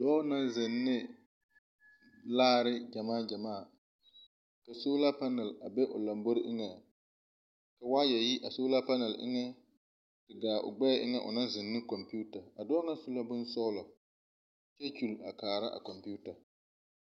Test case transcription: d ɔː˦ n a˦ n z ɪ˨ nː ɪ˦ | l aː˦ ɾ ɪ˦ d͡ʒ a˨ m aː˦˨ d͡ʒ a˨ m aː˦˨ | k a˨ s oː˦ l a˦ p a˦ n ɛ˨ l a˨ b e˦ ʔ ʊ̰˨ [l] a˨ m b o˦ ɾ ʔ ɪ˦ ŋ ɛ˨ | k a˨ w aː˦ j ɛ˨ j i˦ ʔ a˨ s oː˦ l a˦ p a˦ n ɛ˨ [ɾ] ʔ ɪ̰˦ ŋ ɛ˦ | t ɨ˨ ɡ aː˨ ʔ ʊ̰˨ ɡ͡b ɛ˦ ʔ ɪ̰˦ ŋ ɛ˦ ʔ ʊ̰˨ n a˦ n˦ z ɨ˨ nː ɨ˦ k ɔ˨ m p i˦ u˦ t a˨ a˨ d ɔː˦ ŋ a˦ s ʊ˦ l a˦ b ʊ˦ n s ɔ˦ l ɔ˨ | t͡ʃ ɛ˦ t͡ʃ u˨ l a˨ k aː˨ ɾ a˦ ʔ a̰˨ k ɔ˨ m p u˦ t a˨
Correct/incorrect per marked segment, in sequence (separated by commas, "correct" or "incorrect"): correct, incorrect